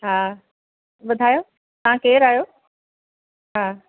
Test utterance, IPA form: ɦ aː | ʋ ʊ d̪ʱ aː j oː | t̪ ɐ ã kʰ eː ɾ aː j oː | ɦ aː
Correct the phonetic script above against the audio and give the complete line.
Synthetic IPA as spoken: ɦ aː | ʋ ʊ d̪ʱ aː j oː | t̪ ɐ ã k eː ɾ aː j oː | ɦ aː